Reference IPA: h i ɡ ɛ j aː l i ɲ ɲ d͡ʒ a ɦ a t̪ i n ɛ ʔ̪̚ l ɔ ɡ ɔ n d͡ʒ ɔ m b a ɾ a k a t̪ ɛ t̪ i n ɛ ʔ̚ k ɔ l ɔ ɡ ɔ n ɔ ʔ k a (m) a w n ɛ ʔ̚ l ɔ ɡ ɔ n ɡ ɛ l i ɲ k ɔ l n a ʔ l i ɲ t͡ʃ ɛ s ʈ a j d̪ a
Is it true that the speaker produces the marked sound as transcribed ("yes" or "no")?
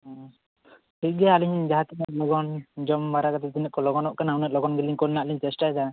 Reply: no